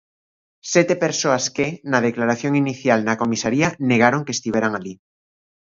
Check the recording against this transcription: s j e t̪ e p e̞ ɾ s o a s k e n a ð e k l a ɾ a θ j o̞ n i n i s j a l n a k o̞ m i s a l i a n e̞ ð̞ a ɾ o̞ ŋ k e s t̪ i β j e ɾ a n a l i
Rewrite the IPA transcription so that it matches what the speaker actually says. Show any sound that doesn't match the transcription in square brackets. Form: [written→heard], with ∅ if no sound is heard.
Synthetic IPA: s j e t̪ e p e̞ ɾ s o a s k e n a ð e k l a ɾ a θ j o̞ [n→ŋ] i n i [s→θ] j a l n a k o̞ m i s a [l→ɾ] i a n e̞ [ð̞→ɣ̞] a ɾ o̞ ŋ k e s t̪ i β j e ɾ a [n→ŋ] a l i

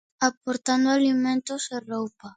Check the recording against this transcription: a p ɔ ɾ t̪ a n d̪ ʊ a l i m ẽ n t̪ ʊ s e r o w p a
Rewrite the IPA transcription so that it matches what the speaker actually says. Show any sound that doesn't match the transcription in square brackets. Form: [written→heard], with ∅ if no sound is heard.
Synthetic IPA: a p [ɔ→o] ɾ t̪ a n d̪ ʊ a l i m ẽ n t̪ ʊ s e r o w p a

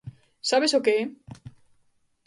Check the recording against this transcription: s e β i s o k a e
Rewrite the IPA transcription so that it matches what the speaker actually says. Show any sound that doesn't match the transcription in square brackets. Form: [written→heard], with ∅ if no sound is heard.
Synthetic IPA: s [e→a] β [i→e] s o k [a→e] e

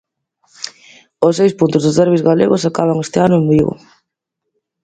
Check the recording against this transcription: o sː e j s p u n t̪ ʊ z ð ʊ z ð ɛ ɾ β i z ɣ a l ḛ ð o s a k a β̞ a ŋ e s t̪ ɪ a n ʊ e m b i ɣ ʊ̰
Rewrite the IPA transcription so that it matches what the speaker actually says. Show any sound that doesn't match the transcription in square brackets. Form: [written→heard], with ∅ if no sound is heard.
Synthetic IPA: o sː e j s p u n t̪ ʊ z ð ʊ z ð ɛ ɾ β i z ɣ a l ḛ [ð→ɣ] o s a k a β̞ a ŋ e s t̪ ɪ a n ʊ e m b i ɣ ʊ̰

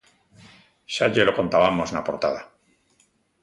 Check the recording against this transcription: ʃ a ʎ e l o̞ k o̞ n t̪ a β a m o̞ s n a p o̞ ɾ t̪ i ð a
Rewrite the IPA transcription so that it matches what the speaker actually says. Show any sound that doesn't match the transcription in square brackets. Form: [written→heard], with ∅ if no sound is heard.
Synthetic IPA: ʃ a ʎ e l o̞ k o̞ n t̪ a β a m o̞ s n a p o̞ ɾ t̪ [i→a] ð a

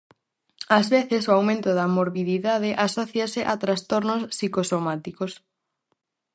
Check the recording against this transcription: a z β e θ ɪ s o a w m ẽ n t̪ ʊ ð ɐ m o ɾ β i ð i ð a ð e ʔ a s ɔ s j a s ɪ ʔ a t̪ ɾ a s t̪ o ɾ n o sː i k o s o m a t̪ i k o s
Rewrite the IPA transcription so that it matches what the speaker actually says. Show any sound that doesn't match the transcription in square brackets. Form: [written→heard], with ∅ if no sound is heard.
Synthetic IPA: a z β e θ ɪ s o a w m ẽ n t̪ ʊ ð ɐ m o ɾ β i ð i ð a ð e ʔ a s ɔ [s→θ] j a s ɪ ʔ a t̪ ɾ a s t̪ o ɾ n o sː i k o s o m a t̪ i k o s

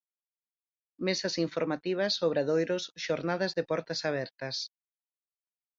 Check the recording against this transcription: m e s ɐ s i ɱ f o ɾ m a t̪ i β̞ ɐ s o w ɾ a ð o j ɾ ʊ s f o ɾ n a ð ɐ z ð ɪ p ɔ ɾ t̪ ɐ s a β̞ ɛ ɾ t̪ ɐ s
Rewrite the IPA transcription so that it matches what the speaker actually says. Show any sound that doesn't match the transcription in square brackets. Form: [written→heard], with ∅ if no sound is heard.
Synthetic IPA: m e s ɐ s i ɱ f o ɾ m a t̪ i β̞ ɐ s o [w→β] ɾ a ð o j ɾ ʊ s [f→ʃ] o ɾ n a ð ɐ z ð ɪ p ɔ ɾ t̪ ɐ s a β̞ ɛ ɾ t̪ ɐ s

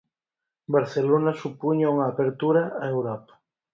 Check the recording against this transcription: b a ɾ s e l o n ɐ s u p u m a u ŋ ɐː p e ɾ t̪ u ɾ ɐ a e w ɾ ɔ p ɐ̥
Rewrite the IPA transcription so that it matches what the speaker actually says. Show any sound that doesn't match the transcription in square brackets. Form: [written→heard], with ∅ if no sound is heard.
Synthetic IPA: b a ɾ [s→θ] e l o n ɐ s u p u [m→ɲ] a u ŋ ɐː p e ɾ t̪ u ɾ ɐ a e w ɾ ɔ p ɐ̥

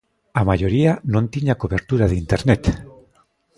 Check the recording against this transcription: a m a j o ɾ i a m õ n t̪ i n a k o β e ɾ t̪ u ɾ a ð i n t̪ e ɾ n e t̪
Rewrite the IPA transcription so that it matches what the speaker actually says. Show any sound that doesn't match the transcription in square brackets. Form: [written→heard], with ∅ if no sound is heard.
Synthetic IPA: a m a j o ɾ i a [m→n] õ n t̪ i [n→ɲ] a k o β e ɾ t̪ u ɾ a ð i n t̪ e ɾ n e t̪

